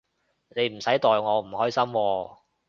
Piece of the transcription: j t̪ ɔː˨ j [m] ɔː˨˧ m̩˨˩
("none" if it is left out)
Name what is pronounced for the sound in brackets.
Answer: ŋ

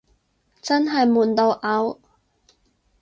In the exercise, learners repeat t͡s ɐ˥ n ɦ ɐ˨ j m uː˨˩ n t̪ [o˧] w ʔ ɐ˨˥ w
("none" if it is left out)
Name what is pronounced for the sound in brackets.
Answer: o˧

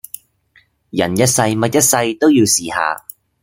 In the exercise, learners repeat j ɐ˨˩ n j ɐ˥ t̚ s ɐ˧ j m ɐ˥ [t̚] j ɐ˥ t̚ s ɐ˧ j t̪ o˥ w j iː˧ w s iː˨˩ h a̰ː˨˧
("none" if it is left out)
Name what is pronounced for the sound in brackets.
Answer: t̚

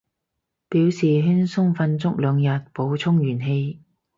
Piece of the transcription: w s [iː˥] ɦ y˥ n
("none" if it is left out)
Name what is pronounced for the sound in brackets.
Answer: iː˨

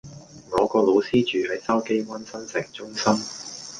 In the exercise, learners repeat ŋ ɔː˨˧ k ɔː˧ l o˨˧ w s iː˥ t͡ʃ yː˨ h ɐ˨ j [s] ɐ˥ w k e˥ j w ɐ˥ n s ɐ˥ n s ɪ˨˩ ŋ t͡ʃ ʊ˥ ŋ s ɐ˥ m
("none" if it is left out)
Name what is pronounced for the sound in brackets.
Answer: s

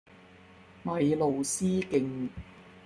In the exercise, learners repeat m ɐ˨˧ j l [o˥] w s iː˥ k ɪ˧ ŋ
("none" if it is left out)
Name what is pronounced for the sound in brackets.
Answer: o˨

